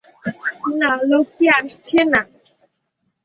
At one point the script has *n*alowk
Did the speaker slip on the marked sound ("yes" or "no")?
no